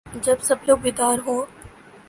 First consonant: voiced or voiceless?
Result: voiced